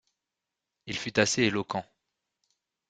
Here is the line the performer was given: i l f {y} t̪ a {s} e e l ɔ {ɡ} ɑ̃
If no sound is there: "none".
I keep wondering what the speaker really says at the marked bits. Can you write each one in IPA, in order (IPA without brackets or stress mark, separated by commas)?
y, s, k